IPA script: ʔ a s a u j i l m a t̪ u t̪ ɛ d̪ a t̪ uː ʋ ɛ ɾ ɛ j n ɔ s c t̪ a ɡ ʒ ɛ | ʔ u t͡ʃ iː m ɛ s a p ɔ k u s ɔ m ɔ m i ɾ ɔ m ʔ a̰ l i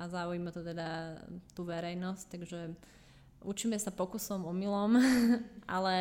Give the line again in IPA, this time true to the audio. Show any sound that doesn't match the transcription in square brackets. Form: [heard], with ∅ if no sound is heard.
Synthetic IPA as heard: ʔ a [z] a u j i [∅] m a t̪ [ɔ] t̪ ɛ d̪ a t̪ uː ʋ ɛ ɾ ɛ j n ɔ s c t̪ a ɡ ʒ ɛ | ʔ u t͡ʃ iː m ɛ s a p ɔ k u s ɔ m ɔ m i [l] ɔ m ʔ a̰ l [ɛ]